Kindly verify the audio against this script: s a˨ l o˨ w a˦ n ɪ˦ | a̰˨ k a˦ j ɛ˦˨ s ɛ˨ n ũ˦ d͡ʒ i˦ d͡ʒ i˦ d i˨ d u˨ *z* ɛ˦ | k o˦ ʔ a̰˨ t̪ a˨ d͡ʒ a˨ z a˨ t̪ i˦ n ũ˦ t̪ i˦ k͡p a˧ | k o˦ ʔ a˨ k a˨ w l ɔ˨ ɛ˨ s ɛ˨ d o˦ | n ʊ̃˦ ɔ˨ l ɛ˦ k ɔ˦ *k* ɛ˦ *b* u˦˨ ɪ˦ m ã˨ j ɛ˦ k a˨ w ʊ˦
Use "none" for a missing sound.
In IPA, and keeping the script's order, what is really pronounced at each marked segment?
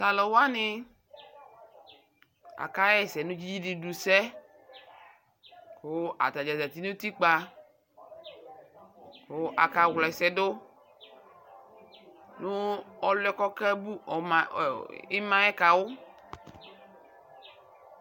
s, k, b

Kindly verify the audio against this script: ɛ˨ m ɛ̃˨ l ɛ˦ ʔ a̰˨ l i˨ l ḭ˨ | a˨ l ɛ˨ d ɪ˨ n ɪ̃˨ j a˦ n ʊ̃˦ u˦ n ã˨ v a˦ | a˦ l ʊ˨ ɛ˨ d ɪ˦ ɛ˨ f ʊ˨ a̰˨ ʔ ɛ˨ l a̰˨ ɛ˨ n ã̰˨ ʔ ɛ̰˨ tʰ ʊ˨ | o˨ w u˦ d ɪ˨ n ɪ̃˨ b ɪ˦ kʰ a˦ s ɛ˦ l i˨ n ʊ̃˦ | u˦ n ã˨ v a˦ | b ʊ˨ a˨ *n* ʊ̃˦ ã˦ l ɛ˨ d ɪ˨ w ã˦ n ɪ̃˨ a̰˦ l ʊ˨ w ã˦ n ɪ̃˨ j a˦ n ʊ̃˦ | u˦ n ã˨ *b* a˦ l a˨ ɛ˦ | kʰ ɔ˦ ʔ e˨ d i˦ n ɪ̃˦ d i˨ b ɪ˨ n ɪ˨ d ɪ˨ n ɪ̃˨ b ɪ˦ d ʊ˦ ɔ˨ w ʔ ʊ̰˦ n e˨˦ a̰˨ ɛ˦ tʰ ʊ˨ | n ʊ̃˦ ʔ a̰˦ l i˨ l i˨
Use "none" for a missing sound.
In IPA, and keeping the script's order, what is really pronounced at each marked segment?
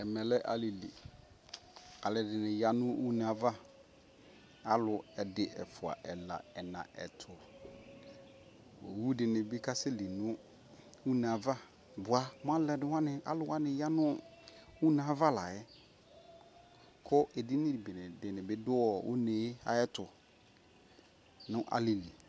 m, v

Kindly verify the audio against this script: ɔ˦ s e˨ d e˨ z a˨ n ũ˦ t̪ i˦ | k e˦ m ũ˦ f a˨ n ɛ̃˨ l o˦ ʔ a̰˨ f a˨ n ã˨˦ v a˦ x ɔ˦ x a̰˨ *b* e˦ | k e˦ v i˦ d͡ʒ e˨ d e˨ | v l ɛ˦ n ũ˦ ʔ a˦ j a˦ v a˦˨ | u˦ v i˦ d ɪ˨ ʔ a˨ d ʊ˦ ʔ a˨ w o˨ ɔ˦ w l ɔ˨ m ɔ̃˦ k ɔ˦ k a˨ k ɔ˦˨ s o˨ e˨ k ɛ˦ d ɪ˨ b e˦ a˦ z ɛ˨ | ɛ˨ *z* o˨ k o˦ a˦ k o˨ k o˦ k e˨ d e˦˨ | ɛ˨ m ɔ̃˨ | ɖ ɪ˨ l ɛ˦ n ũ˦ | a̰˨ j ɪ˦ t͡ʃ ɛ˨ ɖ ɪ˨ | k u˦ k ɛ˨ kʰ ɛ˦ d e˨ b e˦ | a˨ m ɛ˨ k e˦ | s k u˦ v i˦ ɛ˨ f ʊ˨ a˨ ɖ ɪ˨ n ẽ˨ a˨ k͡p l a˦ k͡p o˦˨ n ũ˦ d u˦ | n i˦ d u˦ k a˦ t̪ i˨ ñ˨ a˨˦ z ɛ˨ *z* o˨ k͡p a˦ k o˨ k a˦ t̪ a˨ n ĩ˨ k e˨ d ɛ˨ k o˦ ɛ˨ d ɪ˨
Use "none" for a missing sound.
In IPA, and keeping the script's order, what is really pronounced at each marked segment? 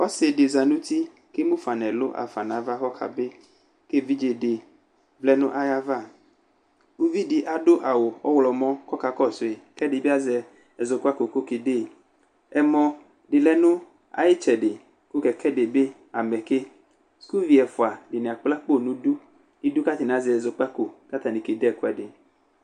b, z, z

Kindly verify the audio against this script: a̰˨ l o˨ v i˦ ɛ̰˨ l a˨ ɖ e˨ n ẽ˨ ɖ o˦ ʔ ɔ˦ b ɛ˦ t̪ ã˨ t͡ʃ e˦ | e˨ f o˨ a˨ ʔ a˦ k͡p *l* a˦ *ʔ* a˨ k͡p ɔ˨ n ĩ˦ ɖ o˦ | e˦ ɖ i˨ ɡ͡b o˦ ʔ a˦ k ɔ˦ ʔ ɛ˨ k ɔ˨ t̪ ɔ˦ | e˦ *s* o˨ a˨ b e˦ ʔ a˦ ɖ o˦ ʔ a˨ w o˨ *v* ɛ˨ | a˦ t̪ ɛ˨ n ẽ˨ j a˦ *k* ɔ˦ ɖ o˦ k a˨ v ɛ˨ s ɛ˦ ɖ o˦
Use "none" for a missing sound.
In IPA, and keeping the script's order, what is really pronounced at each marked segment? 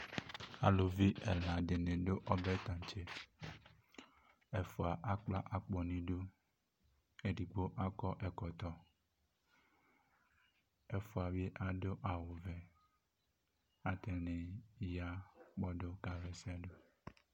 l, ʔ, f, v, k͡p

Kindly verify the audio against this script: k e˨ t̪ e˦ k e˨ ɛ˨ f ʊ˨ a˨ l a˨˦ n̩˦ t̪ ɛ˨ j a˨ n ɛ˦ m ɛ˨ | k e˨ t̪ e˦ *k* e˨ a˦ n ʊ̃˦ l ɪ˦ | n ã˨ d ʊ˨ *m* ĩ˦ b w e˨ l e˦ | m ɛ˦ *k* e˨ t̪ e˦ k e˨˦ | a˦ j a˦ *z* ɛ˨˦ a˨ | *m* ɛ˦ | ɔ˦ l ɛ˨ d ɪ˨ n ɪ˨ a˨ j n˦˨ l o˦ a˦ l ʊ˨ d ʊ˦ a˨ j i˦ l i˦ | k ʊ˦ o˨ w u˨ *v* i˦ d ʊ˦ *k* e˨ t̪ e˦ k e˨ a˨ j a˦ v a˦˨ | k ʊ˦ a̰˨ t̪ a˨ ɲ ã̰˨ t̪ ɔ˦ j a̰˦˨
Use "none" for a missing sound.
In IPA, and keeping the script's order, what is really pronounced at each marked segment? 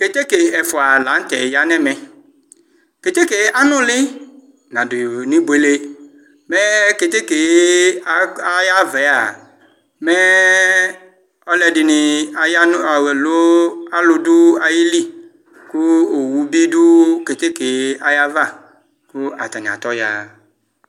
k, n, k, v, m, b, k

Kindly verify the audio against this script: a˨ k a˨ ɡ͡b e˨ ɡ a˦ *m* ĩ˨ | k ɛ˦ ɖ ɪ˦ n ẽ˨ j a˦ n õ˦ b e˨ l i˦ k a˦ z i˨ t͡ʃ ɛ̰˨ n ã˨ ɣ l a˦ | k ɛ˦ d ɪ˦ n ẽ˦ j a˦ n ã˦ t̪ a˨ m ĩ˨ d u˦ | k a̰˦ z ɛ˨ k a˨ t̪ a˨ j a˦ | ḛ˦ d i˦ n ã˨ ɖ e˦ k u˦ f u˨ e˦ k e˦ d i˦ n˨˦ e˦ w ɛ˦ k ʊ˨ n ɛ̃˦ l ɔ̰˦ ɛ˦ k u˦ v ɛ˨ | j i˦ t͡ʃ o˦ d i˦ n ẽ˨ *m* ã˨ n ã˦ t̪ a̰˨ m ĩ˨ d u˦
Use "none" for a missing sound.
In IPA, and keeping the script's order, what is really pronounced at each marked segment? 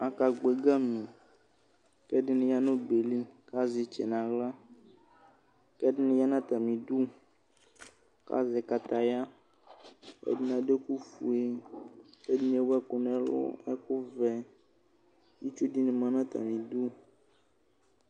m, m

